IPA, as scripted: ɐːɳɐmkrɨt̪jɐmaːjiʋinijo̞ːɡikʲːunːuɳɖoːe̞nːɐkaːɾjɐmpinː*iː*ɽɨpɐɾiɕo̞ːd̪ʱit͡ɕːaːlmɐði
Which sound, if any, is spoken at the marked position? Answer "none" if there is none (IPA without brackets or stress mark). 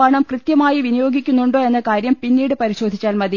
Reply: iː